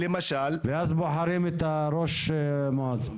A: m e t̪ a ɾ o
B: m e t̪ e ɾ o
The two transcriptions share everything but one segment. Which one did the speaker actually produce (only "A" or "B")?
A